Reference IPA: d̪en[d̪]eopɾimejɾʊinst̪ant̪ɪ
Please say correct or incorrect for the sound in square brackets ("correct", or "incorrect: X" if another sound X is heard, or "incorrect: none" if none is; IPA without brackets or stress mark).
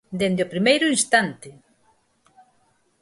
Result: correct